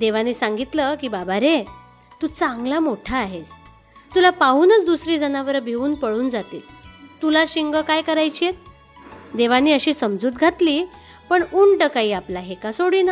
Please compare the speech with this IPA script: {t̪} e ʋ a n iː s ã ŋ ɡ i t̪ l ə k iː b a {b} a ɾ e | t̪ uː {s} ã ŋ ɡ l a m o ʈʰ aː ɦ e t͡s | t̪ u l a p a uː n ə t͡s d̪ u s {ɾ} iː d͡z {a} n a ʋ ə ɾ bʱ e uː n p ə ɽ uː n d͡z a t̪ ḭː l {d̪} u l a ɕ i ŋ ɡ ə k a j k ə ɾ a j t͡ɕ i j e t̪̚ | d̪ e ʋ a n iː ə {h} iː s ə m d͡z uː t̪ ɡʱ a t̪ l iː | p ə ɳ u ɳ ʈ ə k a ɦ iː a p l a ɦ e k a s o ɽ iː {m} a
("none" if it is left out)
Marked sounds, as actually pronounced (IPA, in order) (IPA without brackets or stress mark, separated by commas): d̪, b, t͡s, ɾ, ə, t̪, ɕ, n